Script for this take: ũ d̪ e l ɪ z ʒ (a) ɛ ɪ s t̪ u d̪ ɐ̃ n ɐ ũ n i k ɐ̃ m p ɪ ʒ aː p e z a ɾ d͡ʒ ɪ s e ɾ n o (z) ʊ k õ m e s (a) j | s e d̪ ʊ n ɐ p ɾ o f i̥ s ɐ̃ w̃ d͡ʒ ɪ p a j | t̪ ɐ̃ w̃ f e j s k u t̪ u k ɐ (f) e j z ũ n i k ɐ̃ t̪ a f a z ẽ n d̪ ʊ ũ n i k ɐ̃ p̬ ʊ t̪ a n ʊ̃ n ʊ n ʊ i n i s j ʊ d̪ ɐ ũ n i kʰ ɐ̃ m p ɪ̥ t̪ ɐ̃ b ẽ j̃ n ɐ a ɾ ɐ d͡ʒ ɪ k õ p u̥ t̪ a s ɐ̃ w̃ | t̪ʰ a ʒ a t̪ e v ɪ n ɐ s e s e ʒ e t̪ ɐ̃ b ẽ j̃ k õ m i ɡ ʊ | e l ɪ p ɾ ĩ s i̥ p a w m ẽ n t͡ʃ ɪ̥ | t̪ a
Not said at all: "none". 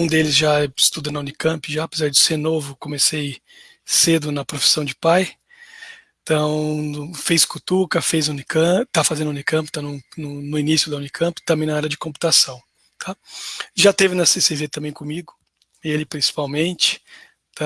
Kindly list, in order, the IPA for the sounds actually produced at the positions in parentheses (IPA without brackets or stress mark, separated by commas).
a, v, e, f